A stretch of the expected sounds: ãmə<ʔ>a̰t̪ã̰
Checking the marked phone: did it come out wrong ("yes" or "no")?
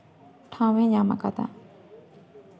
yes